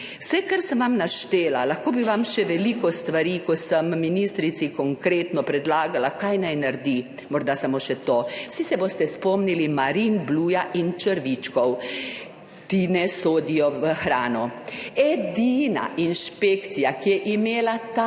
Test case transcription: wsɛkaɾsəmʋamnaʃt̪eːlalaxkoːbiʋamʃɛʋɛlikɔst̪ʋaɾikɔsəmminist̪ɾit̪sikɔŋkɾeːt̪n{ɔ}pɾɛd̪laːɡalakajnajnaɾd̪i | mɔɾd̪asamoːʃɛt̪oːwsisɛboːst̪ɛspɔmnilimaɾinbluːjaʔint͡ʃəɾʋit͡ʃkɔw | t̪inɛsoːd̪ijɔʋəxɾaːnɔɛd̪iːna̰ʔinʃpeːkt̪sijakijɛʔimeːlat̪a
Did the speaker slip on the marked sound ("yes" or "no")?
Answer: no